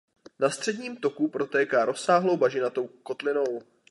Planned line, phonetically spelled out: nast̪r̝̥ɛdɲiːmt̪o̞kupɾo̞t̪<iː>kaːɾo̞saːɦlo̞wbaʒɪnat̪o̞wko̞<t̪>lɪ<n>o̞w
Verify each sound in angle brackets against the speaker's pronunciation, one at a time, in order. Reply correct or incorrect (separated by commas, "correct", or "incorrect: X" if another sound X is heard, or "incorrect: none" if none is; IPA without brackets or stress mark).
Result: incorrect: ɛː, correct, correct